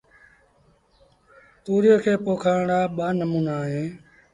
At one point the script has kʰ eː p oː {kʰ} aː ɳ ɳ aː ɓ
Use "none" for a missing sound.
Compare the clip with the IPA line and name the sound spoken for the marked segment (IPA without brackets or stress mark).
kʰ